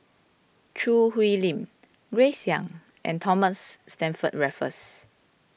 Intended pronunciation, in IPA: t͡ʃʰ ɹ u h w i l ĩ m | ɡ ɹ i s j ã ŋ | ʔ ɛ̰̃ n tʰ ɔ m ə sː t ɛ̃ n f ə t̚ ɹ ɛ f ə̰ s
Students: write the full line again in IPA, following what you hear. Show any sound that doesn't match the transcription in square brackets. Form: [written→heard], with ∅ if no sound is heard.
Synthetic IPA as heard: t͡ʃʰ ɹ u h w i l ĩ m | ɡ ɹ [i→e] s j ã ŋ | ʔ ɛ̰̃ n tʰ ɔ m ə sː t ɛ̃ n f ə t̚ ɹ ɛ f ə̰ s

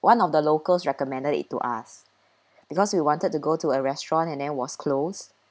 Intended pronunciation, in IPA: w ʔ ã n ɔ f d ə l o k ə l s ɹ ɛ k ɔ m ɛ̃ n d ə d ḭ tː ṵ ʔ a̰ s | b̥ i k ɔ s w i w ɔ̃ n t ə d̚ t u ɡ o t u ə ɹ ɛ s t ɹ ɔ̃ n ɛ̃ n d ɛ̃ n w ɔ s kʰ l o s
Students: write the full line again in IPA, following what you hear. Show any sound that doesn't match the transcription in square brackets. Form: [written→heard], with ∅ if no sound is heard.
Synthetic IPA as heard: w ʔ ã n ɔ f d ə l o k ə l s ɹ ɛ k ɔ m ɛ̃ n d ə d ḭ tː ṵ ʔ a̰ s | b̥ i k ɔ s w i w ɔ̃ n t ə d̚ t u ɡ o t u ə ɹ ɛ s t ɹ ɔ̃ n ɛ̃ n d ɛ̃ n w ɔ s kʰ l o s

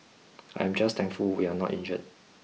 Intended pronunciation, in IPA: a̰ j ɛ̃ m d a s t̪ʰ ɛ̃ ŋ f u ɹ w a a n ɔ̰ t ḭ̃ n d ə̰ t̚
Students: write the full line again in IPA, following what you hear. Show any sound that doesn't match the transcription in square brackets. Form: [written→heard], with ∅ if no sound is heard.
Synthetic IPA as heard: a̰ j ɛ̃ m [d→d͡ʒ] a s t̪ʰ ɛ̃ ŋ f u [ɹ→l] w [a→i] a n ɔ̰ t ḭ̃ n [d→d͡ʒ] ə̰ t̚

